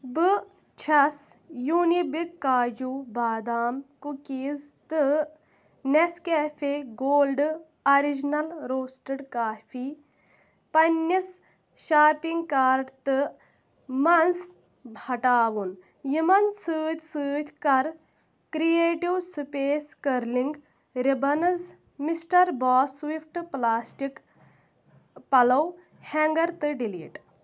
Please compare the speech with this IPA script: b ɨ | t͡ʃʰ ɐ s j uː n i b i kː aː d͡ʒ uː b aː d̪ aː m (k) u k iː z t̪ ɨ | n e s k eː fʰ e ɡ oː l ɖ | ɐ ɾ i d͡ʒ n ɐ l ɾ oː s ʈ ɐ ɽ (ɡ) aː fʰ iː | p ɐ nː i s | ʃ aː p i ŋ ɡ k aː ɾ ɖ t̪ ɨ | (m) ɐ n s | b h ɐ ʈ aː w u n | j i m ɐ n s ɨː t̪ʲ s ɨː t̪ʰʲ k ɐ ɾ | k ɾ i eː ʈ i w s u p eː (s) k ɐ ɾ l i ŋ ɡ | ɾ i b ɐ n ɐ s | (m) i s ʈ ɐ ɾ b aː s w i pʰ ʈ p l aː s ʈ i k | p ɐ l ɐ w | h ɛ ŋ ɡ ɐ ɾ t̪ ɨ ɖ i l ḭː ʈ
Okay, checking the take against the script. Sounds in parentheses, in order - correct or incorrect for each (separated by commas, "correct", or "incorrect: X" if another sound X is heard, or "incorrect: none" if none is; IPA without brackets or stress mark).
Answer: correct, incorrect: k, correct, correct, correct